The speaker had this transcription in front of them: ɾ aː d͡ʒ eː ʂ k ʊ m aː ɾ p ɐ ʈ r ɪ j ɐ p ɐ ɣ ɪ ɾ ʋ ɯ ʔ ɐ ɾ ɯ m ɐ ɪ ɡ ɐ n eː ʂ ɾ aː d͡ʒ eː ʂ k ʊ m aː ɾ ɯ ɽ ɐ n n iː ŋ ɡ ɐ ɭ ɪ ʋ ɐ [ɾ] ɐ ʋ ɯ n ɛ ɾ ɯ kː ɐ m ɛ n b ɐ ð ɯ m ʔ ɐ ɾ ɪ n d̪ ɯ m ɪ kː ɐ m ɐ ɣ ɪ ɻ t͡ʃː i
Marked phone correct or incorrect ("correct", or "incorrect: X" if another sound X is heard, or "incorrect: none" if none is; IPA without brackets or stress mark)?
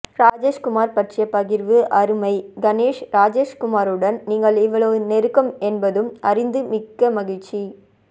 incorrect: ɭ